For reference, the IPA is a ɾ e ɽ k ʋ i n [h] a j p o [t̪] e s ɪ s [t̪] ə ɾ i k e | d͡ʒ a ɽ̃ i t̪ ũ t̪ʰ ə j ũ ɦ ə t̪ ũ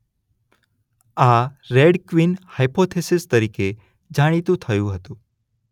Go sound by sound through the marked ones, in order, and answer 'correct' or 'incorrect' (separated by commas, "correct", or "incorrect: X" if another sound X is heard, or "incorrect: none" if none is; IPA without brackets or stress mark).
correct, incorrect: t̪ʰ, correct